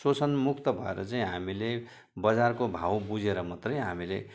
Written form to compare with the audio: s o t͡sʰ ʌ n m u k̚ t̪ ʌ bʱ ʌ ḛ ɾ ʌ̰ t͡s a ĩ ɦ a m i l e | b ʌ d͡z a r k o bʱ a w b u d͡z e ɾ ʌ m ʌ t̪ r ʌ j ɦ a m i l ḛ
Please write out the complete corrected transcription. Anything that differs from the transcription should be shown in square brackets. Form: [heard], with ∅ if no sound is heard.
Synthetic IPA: s o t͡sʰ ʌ n m u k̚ t̪ ʌ bʱ ʌ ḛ ɾ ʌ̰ t͡s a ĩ ɦ a m i l e | b ʌ d͡z a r k o bʱ a w b u d͡z e ɾ ʌ m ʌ t̪ r ʌ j ɦ a m i l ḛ